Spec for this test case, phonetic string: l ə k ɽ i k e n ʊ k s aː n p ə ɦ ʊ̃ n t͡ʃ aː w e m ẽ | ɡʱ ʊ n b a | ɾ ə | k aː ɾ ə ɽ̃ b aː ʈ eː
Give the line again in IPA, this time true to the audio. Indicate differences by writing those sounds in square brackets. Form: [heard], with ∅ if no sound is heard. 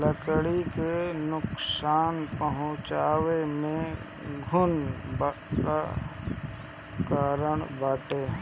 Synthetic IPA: l ə k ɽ i k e n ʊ k s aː n p ə ɦ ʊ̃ [∅] t͡ʃ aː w e m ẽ | ɡʱ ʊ n b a | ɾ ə | k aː ɾ ə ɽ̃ b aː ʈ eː